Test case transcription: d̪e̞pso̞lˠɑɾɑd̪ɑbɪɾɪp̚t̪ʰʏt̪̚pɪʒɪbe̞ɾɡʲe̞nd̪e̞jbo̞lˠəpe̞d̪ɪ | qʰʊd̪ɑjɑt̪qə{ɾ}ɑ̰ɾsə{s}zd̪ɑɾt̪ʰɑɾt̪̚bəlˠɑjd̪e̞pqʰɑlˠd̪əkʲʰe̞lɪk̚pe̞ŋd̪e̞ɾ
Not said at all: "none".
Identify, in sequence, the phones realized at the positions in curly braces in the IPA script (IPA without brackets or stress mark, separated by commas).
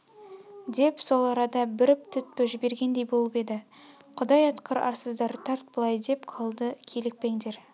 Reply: ɾ, none